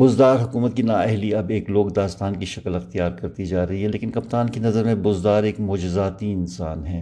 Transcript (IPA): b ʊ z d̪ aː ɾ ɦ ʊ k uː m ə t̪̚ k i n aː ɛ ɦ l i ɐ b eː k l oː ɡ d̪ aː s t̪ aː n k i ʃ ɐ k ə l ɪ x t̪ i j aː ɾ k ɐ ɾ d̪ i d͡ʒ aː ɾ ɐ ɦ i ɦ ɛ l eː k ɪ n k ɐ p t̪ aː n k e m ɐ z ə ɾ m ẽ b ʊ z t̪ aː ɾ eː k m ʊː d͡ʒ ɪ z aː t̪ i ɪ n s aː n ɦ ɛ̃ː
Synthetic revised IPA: b ʊ z d̪ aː ɾ ɦ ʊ k uː m ə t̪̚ k i n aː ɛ ɦ l i ɐ b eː k l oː ɡ d̪ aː s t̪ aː n k i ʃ ɐ k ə l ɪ x t̪ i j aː ɾ k ɐ ɾ t̪ i d͡ʒ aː ɾ ɐ ɦ i ɦ ɛ l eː k ɪ n k ɐ p t̪ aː n k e n ɐ z ə ɾ m ẽ b ʊ z d̪ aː ɾ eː k m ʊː d͡ʒ ɪ z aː t̪ i ɪ n s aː n ɦ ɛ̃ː